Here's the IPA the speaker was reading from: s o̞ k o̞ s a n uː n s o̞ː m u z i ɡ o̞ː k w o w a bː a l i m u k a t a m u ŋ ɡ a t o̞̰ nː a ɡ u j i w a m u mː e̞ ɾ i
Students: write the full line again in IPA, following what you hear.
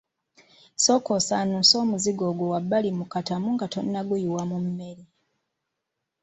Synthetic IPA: s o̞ k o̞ s a n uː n s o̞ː m u z i ɡ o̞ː ɡ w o w a bː a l i m u k a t a m u ŋ ɡ a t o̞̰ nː a ɡ u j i w a m u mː e̞ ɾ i